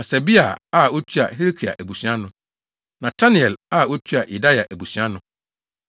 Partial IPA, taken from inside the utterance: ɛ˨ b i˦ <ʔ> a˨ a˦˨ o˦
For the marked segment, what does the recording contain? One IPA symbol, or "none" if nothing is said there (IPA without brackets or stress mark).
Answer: none